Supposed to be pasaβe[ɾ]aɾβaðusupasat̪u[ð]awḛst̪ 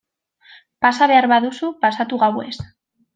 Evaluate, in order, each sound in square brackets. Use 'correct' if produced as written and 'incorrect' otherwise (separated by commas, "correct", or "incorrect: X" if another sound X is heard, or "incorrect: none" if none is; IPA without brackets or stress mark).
incorrect: none, incorrect: ɣ